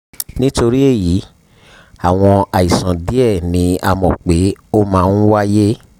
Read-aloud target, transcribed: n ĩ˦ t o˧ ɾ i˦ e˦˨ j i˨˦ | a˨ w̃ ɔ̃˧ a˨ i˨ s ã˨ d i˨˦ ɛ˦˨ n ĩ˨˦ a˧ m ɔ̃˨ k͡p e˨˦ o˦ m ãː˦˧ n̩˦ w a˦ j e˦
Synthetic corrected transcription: n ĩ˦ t o˧ ɾ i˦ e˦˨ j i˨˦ | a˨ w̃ ɔ̃˧ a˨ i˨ s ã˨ d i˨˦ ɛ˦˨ n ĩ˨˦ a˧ m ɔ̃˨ k͡p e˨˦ o˦ m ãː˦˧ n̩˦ w a˦ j e˦